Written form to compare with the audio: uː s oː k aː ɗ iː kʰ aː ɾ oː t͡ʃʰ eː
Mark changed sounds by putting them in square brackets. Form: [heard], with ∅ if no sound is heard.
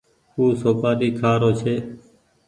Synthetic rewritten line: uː s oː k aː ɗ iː kʰ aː ɾ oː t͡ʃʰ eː